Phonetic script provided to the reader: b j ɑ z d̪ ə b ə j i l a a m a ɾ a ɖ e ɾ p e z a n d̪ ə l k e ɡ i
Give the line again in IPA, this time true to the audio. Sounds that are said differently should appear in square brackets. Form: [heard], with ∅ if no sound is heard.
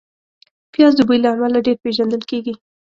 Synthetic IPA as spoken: [p] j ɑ z d̪ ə b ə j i l a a m a [l] a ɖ e ɾ p e [ʒ] a n d̪ ə l k e ɡ i